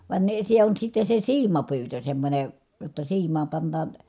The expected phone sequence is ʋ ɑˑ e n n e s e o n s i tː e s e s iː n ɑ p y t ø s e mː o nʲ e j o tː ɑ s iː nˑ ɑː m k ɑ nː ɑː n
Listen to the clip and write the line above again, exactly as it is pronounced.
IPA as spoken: ʋ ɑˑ e n n e s e o n s i tː e s e s iː m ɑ p yː t ø s e mː o nʲ e j o tː ɑ s iː mˑ ɑː m p ɑ nː ɑː n